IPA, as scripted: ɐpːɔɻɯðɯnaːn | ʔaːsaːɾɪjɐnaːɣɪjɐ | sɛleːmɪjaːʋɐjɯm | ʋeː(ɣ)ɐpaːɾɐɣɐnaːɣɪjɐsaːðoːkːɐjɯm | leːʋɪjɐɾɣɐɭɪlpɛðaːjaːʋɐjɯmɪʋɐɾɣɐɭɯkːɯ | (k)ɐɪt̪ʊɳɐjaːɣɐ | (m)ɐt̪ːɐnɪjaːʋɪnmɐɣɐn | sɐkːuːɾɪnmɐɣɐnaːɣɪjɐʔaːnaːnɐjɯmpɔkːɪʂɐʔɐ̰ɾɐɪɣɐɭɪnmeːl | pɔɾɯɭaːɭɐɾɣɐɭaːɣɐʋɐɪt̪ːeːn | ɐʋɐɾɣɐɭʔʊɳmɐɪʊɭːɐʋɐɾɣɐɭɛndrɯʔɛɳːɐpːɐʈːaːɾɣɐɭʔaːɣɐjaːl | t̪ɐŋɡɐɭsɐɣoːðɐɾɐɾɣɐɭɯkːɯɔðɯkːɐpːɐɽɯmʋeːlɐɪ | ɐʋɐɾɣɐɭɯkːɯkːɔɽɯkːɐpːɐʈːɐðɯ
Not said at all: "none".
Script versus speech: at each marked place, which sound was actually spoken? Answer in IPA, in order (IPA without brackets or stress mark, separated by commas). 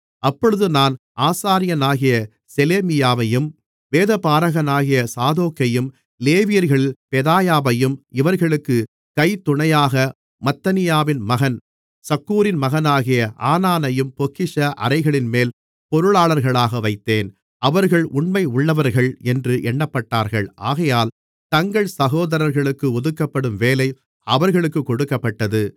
ð, k, m